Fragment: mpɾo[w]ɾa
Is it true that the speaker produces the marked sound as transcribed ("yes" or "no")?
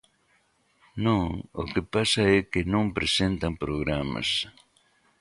no